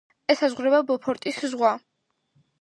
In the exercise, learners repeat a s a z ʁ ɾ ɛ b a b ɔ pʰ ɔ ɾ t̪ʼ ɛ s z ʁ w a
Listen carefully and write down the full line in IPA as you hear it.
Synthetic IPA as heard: ɛ s a z ʁ ɾ ɛ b a b ɔ pʰ ɔ ɾ t̪ʼ i s z ʁ w a